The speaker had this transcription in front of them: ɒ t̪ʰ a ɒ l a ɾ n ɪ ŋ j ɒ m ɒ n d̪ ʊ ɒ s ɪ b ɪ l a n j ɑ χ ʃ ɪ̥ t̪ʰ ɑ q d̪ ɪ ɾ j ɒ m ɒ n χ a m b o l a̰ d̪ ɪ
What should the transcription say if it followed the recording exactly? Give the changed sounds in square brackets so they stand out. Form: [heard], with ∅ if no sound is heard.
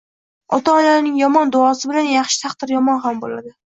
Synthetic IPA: ɒ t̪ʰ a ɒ l a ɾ n ɪ ŋ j ɒ m ɒ n d̪ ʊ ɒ s ɪ b ɪ l a n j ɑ χ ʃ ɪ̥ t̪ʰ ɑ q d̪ ɪ ɾ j ɒ m ɒ n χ a m b o l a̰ d̪ ɪ